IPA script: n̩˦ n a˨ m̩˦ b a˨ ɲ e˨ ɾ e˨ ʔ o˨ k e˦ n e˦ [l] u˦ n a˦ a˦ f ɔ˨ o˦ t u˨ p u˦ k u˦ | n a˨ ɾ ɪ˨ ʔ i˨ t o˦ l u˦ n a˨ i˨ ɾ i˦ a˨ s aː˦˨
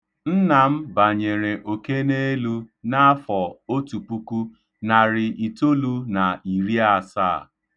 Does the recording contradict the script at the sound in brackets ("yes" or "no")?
no